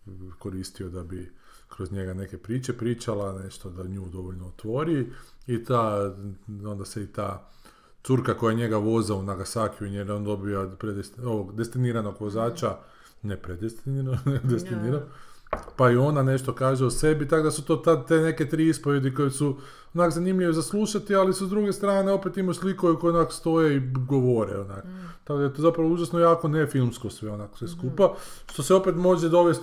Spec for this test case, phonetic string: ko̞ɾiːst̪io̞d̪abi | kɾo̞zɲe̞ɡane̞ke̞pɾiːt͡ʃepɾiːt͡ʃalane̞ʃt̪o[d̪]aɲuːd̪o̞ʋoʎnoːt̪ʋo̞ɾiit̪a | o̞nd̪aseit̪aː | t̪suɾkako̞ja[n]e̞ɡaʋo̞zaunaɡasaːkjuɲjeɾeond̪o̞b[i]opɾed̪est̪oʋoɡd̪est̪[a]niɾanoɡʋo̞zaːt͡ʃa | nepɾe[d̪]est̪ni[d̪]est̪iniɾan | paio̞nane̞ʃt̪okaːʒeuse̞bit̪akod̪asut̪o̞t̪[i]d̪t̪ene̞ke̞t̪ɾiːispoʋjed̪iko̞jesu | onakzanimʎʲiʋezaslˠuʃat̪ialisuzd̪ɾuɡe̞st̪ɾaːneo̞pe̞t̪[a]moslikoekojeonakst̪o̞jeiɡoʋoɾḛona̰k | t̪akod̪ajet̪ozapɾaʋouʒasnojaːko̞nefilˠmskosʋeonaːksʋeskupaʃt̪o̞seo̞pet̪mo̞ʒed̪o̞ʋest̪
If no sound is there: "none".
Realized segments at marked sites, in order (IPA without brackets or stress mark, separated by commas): d̪, ɲ, i, i, d̪, d̪, a, i